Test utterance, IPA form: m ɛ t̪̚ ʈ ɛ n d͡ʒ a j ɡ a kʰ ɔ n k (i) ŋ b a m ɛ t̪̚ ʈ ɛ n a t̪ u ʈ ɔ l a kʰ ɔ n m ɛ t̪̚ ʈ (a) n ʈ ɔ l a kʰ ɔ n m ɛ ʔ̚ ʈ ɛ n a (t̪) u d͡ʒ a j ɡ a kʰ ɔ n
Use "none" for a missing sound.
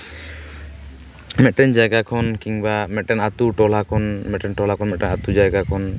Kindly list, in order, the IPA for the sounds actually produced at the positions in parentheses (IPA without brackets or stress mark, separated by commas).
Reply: i, ɛ, t̪